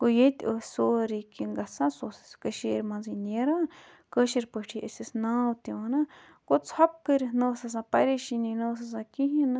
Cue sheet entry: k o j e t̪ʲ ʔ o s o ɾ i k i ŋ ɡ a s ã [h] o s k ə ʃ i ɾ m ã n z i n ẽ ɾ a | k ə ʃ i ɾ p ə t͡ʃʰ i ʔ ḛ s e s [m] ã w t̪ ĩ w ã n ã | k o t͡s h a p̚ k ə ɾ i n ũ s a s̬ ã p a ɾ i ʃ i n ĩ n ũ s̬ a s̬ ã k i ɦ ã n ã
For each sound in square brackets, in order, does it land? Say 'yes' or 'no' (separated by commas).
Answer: no, no